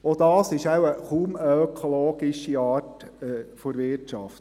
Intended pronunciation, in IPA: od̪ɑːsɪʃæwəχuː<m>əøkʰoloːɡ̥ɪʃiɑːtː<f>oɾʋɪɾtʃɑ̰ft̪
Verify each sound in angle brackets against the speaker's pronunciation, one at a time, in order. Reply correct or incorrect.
correct, correct

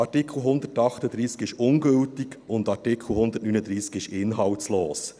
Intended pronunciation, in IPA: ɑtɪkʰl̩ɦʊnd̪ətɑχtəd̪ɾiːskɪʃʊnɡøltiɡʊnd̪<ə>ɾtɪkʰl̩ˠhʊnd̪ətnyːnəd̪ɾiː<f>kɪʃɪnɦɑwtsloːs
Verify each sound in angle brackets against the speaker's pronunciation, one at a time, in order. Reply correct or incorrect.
incorrect: ɑ, incorrect: s

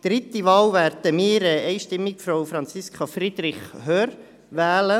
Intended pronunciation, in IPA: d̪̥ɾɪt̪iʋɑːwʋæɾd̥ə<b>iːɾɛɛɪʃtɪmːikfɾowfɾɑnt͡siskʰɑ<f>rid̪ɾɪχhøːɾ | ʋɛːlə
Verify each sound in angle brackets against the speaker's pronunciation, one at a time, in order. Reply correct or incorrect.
incorrect: m, correct

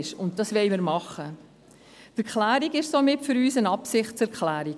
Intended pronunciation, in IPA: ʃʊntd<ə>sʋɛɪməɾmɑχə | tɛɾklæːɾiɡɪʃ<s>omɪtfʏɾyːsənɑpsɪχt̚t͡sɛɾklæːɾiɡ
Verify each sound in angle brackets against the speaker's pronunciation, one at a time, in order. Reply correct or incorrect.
incorrect: ɑ, correct

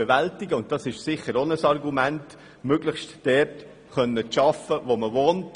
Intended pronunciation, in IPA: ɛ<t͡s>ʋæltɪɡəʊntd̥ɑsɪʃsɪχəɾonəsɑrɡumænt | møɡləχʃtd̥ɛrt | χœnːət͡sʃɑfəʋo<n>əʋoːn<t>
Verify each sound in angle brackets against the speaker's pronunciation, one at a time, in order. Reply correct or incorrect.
incorrect: none, incorrect: m, correct

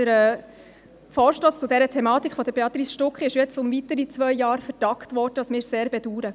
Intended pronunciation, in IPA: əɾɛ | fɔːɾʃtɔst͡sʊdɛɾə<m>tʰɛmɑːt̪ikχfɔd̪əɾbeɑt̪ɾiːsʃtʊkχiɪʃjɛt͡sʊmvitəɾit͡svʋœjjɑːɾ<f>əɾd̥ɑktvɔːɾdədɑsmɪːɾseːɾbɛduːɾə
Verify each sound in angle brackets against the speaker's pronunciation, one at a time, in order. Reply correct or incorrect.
incorrect: none, correct

